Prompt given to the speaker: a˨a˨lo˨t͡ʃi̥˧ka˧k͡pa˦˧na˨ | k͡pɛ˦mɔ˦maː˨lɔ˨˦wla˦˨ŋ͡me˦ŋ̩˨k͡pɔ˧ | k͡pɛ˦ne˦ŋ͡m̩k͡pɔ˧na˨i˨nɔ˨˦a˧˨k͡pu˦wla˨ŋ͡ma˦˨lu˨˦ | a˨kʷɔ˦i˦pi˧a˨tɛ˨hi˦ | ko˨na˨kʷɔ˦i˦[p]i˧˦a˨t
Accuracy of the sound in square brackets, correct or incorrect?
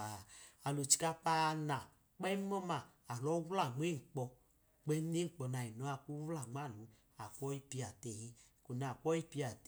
correct